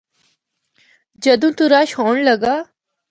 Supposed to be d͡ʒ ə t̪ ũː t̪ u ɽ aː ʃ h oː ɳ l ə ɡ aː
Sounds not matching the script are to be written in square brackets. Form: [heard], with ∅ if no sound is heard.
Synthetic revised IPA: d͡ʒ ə [d̪] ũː t̪ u [ɾ] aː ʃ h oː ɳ l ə ɡ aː

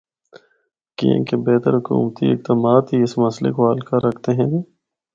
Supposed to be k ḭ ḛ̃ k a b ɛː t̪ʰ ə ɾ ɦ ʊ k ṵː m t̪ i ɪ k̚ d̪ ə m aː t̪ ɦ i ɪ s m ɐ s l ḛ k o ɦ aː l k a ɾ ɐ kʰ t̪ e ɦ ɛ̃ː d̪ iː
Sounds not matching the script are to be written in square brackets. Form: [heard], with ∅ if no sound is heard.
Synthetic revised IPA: k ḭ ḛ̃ k [e] b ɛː [t̪] ə ɾ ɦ ʊ k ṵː m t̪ i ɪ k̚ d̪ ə m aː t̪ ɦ i ɪ s m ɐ s l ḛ k o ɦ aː l k a ɾ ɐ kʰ t̪ e ɦ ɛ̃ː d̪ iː

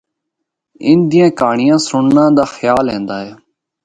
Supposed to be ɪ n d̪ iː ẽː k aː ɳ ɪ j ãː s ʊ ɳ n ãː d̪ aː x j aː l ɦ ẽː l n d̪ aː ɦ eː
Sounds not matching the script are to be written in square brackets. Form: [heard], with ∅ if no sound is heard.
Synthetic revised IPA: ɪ n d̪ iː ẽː k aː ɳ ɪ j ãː s ʊ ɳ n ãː d̪ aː x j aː l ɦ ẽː [∅] n d̪ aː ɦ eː

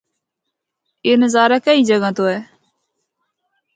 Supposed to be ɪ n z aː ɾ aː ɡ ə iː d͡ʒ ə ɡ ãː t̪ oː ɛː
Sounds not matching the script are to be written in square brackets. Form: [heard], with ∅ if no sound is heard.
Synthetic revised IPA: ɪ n z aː ɾ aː [k] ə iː d͡ʒ ə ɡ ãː t̪ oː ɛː

